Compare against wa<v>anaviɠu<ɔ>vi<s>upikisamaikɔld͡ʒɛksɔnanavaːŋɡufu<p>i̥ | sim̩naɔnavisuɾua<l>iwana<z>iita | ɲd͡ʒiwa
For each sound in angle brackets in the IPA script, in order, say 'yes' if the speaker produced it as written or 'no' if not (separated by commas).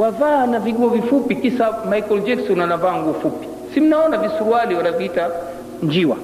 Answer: yes, yes, no, yes, yes, no